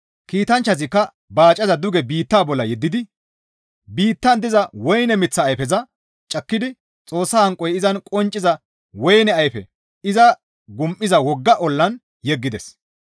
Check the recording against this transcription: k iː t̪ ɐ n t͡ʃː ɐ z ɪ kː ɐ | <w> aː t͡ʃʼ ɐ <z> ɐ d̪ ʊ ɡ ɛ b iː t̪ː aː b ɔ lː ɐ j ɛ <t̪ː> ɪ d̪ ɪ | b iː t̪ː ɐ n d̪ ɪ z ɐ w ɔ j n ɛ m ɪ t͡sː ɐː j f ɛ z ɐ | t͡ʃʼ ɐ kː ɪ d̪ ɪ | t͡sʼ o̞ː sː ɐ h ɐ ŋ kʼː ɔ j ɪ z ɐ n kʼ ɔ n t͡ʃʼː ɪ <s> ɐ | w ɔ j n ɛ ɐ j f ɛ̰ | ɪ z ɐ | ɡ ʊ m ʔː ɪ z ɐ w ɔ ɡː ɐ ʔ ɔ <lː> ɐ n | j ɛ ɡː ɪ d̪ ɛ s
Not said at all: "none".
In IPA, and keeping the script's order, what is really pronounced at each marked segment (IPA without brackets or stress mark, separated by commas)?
b, z, d̪ː, z, lː